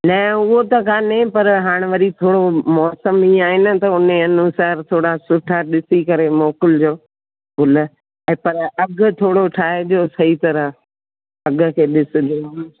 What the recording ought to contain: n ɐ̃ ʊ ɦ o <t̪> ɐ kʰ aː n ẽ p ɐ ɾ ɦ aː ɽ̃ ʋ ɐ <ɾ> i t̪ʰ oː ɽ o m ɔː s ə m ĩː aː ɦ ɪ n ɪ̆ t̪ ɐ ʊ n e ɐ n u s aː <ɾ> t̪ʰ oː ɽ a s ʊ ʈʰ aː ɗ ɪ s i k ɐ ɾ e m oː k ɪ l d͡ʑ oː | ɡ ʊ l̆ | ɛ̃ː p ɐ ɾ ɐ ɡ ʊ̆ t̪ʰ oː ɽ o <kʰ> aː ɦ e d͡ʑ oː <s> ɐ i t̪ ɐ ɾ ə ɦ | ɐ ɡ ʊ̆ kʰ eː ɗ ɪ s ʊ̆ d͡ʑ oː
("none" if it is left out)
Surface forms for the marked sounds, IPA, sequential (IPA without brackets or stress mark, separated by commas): t̪, ɾ, ɾ, ʈʰ, s